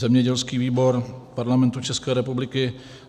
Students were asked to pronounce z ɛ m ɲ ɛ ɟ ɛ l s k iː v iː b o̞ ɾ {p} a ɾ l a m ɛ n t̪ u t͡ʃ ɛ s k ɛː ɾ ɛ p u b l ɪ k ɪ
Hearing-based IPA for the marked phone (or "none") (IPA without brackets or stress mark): p